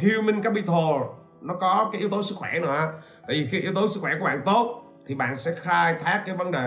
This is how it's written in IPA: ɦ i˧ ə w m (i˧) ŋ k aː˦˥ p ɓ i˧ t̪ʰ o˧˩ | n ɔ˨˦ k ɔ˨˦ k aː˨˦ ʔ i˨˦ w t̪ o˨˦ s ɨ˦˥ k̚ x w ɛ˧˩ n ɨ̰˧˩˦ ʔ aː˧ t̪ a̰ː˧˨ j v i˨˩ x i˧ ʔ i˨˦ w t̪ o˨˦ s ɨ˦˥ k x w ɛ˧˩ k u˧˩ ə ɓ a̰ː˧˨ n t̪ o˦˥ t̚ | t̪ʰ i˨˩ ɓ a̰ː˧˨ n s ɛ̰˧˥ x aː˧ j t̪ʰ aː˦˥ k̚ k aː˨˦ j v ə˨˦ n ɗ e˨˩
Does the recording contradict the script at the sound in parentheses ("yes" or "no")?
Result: no